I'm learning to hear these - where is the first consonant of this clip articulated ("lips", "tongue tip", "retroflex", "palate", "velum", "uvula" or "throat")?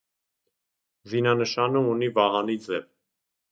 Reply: tongue tip